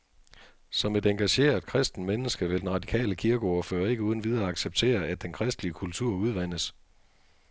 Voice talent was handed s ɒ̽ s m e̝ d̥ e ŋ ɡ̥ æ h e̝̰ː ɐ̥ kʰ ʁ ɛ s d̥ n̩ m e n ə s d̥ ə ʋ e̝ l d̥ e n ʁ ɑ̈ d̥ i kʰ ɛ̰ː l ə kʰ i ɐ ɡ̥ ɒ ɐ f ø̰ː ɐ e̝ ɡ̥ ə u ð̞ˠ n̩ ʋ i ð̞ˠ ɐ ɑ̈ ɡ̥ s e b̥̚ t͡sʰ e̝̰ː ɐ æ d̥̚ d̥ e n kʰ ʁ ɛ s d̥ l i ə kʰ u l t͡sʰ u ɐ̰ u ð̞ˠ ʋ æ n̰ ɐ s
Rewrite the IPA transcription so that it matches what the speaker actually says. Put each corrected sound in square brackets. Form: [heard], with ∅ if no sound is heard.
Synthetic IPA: s ɒ̽ [∅] m e̝ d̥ e ŋ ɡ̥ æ [ɕ] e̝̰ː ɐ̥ kʰ ʁ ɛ s d̥ n̩ m e n ə s [ɡ̥] ə ʋ e̝ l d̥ e n ʁ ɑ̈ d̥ i kʰ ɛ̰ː l ə kʰ i ɐ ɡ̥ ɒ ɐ f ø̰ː ɐ e̝ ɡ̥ ə u ð̞ˠ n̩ ʋ i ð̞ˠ ɐ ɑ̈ ɡ̥ s e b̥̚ t͡sʰ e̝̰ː ɐ æ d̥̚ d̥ e n kʰ ʁ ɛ s d̥ l i ə kʰ u l t͡sʰ u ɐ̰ u ð̞ˠ ʋ æ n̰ [ə] s